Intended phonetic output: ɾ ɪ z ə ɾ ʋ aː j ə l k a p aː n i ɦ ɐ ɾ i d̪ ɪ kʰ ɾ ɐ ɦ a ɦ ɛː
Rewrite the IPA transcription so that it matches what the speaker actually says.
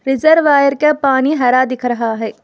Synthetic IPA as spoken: ɾ ɪ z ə ɾ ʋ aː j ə ɾ k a p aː n i ɦ ɐ ɾ a d̪ ɪ kʰ ɾ ɐ ɦ a ɦ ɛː